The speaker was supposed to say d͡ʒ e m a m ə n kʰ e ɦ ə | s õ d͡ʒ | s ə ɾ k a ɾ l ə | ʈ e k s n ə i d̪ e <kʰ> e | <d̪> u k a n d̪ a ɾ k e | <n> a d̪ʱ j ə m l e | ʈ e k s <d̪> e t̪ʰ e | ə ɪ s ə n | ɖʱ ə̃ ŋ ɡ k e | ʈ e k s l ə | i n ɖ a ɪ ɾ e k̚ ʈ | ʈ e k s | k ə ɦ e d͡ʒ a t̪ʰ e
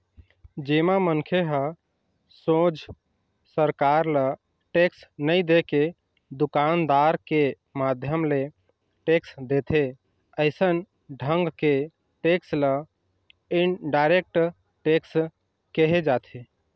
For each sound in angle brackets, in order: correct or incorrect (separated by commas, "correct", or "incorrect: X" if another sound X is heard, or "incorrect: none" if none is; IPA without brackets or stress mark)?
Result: incorrect: k, correct, incorrect: m, correct